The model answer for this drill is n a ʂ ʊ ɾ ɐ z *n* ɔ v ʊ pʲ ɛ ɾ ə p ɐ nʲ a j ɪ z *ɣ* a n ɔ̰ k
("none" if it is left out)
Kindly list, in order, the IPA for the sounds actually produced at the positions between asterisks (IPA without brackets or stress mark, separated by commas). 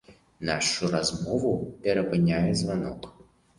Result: m, v